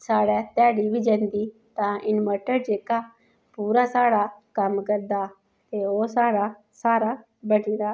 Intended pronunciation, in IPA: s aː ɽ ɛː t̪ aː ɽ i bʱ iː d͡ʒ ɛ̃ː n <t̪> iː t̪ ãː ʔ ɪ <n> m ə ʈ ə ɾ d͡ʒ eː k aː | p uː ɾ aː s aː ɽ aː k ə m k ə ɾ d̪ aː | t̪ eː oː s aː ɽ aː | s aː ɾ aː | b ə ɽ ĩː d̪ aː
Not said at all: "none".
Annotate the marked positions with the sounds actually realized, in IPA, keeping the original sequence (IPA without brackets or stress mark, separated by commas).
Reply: d̪, n